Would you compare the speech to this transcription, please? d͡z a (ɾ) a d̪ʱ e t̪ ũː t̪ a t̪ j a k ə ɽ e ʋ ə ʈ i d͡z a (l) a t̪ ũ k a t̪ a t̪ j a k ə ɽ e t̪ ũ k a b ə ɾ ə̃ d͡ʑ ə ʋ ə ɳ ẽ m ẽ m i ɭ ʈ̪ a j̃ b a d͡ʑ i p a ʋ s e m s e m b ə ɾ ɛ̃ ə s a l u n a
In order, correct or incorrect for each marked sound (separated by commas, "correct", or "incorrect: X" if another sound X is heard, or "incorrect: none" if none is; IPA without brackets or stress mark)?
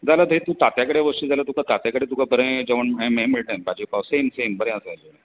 incorrect: l, correct